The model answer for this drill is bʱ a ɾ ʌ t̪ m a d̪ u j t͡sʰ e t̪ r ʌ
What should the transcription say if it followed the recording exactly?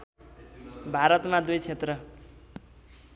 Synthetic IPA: bʱ a ɾ ʌ t̪ m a d̪ u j t͡sʰ e t̪ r ʌ